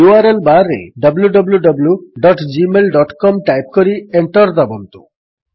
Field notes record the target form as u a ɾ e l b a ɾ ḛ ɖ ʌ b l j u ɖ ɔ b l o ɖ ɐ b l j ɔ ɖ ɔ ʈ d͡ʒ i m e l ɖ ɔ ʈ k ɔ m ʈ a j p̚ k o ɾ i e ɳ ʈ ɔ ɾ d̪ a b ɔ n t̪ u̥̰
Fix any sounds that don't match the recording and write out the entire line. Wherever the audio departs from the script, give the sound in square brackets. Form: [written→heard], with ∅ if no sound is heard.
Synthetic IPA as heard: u a ɾ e l b a ɾ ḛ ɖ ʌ b l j u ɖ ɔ b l [o→u] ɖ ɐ b l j [ɔ→u] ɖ ɔ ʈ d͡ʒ i m e l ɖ ɔ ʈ k ɔ m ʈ a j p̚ k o ɾ i e ɳ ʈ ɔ ɾ d̪ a b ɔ n t̪ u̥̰